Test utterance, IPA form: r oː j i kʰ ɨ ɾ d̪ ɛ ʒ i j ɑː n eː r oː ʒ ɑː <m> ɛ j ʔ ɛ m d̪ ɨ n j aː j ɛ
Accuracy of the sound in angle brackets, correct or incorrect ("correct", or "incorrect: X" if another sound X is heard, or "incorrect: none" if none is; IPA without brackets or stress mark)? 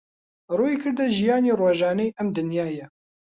incorrect: n